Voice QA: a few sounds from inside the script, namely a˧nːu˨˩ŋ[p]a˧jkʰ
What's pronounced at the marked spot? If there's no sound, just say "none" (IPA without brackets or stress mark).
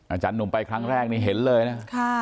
p